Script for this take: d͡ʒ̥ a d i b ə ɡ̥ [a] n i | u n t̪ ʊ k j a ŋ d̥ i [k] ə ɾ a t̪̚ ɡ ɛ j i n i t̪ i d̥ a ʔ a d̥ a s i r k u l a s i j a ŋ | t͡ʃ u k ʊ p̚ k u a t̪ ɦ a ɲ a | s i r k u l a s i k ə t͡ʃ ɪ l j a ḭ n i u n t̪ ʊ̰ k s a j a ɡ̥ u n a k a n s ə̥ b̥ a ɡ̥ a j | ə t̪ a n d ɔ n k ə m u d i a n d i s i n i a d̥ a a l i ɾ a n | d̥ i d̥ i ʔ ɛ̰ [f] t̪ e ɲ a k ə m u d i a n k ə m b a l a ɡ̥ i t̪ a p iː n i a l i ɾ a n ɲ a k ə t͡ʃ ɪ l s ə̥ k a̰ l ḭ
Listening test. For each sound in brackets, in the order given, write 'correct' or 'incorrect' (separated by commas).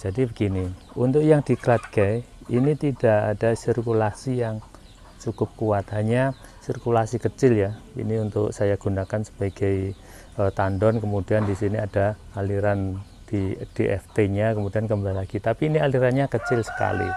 incorrect, correct, correct